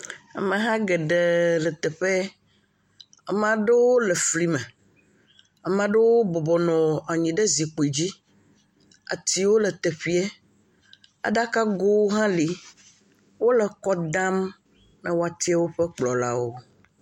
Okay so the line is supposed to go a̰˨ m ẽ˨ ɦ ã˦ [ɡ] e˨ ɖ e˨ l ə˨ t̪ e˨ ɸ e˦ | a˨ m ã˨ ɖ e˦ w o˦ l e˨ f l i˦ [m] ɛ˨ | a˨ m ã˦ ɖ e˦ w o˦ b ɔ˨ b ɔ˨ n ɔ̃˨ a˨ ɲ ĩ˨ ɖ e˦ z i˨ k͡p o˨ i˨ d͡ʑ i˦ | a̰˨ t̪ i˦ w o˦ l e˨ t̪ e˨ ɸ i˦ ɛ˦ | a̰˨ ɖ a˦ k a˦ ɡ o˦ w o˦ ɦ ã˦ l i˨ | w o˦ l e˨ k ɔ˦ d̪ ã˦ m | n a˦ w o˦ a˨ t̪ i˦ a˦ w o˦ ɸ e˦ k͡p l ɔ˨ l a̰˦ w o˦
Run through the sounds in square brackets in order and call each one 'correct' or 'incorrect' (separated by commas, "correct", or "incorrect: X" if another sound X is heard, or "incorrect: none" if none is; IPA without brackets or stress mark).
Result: correct, correct